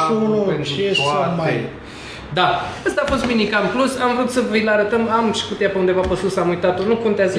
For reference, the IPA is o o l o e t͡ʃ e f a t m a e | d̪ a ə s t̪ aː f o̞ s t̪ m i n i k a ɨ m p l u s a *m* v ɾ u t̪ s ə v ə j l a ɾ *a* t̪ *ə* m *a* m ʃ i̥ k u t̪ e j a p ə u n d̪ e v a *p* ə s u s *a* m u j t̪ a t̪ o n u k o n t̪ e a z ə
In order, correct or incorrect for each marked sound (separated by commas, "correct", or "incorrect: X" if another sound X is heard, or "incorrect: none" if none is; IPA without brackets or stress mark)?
correct, incorrect: ə, correct, correct, correct, correct